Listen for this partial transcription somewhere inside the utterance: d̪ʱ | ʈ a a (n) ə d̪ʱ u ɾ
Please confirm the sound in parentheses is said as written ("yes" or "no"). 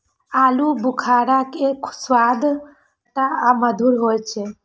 no